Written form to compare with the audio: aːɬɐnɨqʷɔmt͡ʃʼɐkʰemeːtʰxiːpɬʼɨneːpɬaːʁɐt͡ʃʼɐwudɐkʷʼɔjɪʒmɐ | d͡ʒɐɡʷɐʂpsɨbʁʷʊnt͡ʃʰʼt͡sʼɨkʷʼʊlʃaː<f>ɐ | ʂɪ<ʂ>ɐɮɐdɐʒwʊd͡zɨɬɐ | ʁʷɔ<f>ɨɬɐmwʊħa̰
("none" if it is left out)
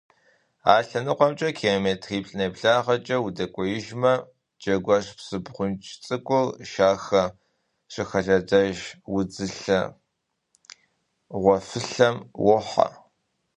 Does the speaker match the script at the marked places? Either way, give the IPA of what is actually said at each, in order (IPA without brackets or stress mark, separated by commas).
x, x, f